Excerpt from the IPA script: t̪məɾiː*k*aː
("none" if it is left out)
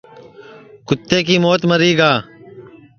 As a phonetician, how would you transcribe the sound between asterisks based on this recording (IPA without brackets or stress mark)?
ɡ